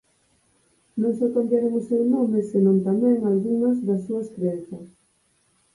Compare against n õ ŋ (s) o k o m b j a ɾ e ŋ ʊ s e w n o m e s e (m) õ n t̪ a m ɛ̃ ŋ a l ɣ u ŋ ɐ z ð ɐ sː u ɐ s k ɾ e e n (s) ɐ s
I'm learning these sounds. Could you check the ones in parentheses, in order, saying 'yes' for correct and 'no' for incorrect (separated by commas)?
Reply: yes, no, no